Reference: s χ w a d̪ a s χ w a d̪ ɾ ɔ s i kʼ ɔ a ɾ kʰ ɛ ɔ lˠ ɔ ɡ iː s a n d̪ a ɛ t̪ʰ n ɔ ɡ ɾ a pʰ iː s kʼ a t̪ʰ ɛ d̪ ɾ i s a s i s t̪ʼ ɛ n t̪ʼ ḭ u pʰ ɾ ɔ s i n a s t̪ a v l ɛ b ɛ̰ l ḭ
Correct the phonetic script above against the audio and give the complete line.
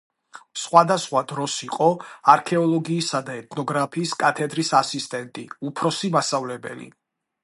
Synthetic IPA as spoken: s χ w a d̪ a s χ w a d̪ ɾ ɔ s i qʼ ɔ a ɾ kʰ ɛ ɔ lˠ ɔ ɡ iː s a d̪ a ɛ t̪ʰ n ɔ ɡ ɾ a pʰ iː s kʼ a t̪ʰ ɛ d̪ ɾ i s a s i s t̪ʼ ɛ n t̪ʼ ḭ u pʰ ɾ ɔ s i m a s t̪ a v l ɛ b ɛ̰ l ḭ